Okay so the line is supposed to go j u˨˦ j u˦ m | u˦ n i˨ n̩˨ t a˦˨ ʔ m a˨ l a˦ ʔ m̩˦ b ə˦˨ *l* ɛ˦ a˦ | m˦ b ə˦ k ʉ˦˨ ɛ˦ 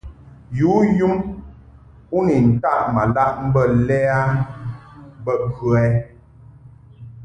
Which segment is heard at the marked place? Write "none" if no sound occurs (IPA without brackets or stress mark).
l